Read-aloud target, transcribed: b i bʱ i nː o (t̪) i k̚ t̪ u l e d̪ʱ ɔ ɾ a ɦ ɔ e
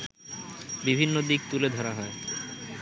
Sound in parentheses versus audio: incorrect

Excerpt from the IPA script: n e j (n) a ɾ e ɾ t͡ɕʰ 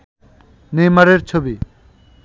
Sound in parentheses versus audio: incorrect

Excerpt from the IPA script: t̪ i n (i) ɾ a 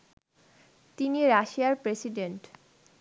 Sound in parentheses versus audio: correct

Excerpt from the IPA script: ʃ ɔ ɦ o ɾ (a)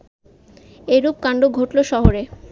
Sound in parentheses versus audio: incorrect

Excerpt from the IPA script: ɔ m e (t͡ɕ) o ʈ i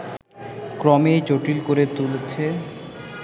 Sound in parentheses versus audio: correct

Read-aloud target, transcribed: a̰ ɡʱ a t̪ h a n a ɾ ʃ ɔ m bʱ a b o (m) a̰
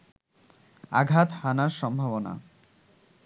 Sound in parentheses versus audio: incorrect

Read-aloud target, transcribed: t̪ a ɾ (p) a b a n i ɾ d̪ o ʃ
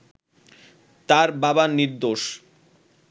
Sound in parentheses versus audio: incorrect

